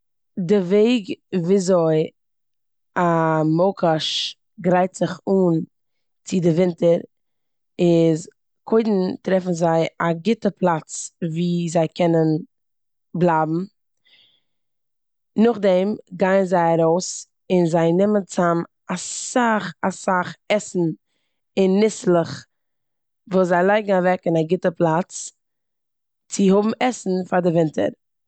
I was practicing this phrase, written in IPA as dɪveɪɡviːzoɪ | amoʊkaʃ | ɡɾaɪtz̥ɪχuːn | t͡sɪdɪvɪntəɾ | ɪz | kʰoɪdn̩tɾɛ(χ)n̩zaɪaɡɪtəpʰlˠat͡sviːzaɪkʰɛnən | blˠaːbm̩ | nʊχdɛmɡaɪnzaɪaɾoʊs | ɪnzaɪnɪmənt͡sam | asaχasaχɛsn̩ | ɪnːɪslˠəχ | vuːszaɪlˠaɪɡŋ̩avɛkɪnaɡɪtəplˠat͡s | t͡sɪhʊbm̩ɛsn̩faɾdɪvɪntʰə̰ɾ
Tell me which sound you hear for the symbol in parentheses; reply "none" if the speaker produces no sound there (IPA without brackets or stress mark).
f